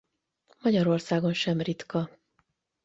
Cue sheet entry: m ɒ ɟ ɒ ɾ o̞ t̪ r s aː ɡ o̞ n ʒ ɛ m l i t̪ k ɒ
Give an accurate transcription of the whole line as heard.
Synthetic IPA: m ɒ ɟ ɒ ɾ o̞ r s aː ɡ o̞ n ʃ ɛ m r i t̪ k ɒ